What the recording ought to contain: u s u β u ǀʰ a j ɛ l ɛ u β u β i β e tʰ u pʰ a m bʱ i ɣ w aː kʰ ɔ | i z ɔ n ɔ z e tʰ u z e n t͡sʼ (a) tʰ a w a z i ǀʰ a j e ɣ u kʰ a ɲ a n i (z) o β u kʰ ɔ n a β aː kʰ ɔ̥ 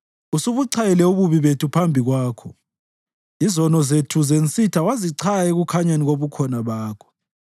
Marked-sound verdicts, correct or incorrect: incorrect, incorrect

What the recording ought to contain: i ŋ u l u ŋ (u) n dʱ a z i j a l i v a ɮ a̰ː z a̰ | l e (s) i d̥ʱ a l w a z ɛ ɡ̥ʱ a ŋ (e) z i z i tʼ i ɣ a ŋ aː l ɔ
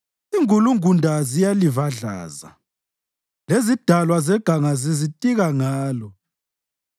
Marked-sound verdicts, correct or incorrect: correct, incorrect, incorrect

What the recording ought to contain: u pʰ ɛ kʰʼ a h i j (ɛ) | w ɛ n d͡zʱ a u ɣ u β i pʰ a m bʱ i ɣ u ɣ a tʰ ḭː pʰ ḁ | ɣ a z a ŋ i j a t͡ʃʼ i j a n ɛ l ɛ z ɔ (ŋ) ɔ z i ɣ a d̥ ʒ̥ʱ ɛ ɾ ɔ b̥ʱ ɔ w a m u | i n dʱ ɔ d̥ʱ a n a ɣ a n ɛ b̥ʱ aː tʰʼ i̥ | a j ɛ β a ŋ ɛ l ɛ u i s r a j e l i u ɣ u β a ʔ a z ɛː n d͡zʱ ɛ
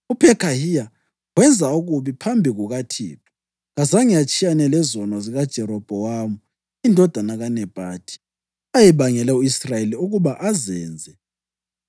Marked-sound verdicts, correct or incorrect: incorrect, incorrect

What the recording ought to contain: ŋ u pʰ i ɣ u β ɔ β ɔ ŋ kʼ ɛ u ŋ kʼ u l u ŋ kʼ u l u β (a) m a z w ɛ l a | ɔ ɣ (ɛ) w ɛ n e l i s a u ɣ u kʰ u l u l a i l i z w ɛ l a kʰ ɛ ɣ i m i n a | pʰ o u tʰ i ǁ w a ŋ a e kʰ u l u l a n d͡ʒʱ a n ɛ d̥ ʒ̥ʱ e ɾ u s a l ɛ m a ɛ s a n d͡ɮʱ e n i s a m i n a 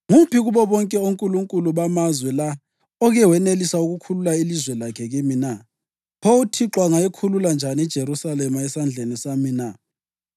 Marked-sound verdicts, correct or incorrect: correct, correct

